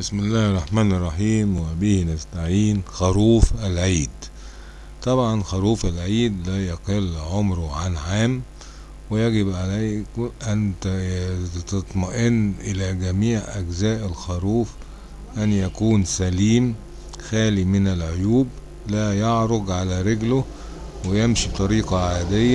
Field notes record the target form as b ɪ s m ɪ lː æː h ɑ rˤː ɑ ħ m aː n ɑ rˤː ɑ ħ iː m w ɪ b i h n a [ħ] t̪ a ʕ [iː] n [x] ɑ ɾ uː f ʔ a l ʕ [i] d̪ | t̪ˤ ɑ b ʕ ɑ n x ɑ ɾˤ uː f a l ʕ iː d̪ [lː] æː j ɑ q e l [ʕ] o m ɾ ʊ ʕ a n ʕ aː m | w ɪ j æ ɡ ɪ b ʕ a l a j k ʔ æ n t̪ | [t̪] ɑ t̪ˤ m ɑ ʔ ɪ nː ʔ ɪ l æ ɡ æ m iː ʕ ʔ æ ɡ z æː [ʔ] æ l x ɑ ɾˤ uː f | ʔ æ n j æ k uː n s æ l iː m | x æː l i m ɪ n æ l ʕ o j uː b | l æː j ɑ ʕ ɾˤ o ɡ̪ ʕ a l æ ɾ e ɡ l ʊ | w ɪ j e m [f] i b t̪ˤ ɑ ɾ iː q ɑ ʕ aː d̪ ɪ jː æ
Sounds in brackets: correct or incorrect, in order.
incorrect: s, correct, correct, incorrect: iː, incorrect: l, correct, correct, correct, incorrect: ʃ

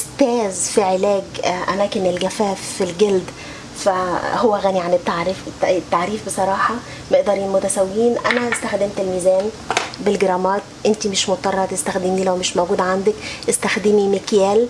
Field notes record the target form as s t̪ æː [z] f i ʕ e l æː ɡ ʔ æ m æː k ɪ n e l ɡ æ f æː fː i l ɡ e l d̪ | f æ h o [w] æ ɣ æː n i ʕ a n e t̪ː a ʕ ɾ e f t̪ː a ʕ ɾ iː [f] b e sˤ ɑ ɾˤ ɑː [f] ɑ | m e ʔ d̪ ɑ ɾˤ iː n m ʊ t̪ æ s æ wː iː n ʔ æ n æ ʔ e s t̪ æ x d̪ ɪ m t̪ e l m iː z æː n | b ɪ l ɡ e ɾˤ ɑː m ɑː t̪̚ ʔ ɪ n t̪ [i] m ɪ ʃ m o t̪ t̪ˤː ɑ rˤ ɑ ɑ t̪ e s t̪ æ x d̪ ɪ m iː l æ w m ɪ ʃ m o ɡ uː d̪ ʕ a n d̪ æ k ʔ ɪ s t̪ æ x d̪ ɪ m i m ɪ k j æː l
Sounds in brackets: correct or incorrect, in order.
correct, incorrect: wː, correct, incorrect: ħ, correct

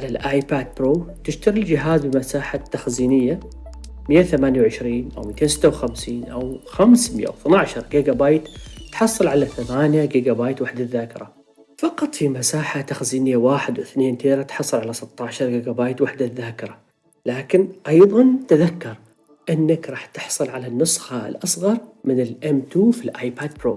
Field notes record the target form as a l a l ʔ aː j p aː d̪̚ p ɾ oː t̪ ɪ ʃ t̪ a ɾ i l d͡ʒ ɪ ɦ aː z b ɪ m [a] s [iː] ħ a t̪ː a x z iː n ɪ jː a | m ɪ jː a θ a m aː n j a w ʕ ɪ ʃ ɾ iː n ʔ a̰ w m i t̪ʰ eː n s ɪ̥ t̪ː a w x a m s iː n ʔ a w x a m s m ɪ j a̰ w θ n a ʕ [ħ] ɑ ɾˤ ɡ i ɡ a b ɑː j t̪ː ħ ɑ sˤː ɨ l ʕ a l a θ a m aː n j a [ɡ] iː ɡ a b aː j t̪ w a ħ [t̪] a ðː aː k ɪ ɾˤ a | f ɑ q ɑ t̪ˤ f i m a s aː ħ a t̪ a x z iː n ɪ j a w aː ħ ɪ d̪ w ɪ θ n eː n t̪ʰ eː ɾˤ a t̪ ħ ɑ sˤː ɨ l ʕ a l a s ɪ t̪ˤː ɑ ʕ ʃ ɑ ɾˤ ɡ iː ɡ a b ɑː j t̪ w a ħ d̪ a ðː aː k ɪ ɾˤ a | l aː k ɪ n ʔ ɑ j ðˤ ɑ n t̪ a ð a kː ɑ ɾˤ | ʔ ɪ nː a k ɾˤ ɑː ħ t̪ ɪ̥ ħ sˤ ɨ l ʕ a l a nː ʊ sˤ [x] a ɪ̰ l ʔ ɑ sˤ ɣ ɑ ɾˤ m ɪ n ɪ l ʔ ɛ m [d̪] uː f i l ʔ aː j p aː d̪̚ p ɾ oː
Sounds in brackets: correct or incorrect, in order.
correct, incorrect: aː, incorrect: ʃ, correct, incorrect: d̪, correct, incorrect: t̪

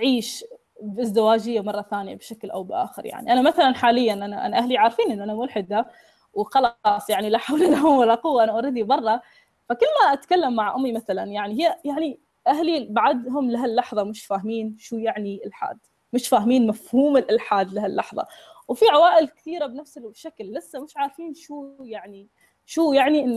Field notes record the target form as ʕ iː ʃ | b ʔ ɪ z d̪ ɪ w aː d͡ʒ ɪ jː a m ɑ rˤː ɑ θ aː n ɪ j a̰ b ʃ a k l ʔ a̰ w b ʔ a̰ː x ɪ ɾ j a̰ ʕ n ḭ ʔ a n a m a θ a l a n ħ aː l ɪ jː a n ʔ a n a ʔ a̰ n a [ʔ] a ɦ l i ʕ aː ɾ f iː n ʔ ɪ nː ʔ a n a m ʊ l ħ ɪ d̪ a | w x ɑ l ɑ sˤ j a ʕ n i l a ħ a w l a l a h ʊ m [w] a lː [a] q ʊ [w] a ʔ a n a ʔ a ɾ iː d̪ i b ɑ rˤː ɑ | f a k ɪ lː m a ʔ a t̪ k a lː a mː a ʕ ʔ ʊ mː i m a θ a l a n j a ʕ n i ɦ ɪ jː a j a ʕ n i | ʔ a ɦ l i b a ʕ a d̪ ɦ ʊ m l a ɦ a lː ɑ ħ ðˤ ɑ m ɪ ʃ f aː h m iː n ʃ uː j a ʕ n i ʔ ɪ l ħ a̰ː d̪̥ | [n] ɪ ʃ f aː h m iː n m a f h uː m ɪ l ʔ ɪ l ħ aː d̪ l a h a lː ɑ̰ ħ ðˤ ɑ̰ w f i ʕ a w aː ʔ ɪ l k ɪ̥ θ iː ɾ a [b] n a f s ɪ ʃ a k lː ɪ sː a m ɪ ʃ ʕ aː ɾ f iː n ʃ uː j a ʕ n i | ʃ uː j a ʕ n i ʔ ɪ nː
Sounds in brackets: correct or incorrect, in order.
correct, correct, correct, incorrect: wː, incorrect: m, correct

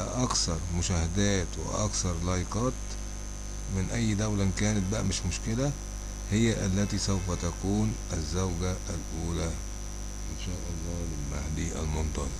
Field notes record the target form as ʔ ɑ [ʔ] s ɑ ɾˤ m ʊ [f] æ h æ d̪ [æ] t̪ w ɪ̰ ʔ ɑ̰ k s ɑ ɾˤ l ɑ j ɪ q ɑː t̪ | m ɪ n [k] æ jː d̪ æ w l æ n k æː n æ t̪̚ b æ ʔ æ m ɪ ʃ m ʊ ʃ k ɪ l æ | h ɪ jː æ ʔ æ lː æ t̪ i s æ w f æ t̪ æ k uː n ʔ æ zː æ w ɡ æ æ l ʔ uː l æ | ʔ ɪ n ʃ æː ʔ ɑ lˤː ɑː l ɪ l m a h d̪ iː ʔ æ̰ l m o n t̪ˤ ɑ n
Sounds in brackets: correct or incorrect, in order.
incorrect: k, incorrect: ʃ, incorrect: æː, incorrect: ʔ

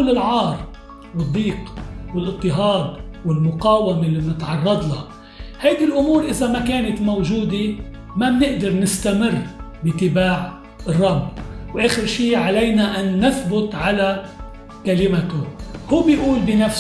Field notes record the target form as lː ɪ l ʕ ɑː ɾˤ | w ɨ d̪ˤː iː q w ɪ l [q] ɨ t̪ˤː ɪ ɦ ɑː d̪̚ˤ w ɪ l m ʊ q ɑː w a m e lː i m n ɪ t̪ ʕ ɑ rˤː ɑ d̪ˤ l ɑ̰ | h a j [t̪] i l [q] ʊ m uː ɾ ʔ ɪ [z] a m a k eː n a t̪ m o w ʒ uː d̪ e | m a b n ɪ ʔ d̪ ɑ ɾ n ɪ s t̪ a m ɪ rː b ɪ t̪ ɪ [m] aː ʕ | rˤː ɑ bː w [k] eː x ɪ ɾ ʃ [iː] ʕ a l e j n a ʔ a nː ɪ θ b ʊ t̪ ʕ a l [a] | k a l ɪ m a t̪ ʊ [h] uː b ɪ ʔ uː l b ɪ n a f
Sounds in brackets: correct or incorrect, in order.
incorrect: ʔ, incorrect: d̪, incorrect: ʔ, correct, incorrect: b, incorrect: ʔ, correct, correct, correct

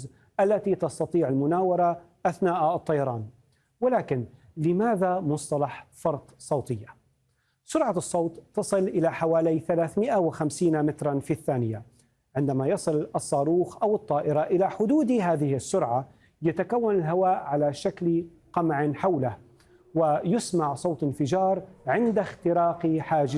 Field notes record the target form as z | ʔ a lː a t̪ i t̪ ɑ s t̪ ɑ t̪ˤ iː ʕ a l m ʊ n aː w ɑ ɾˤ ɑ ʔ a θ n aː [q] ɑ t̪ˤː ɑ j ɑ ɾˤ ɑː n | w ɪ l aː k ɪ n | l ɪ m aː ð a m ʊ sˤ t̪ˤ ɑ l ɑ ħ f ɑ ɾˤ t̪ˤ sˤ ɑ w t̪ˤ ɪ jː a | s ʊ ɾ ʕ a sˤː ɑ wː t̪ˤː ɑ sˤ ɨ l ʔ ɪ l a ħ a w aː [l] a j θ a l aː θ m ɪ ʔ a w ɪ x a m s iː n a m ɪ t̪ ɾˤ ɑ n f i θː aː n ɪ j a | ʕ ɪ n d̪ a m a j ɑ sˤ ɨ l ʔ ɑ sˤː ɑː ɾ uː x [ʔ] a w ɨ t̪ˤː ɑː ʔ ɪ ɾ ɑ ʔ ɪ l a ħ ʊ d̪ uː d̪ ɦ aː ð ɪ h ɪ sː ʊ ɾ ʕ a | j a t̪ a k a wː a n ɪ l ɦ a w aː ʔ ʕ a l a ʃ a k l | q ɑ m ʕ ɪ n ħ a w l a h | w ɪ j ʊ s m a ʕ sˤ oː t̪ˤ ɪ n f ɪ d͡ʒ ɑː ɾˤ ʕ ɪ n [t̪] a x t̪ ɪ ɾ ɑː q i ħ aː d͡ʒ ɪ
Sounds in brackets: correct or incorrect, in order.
incorrect: ʔ, correct, correct, incorrect: d̪

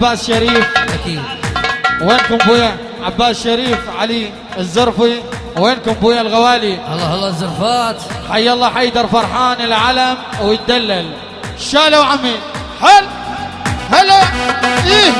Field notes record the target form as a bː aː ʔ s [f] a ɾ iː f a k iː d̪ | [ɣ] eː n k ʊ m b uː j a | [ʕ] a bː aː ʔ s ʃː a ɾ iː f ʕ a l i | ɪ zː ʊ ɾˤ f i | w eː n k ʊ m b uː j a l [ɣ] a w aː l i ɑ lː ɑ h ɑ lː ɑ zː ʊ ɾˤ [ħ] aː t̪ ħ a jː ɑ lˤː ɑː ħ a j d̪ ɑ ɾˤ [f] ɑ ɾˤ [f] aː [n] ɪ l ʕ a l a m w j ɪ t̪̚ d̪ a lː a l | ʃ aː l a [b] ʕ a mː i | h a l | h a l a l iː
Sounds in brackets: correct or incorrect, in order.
incorrect: ʃ, incorrect: w, correct, correct, incorrect: f, correct, incorrect: ħ, correct, incorrect: w

